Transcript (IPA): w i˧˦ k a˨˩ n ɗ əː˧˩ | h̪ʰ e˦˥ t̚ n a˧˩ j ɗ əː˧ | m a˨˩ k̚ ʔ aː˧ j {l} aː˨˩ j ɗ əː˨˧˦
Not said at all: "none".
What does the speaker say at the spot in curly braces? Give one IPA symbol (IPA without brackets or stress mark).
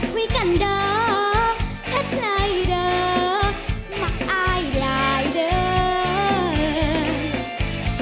l